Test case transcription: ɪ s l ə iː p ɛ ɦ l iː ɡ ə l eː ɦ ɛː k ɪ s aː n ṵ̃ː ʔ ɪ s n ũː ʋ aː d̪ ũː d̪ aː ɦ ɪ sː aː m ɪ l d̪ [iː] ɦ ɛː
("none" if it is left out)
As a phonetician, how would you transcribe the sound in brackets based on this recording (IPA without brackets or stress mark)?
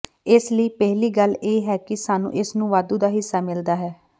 aː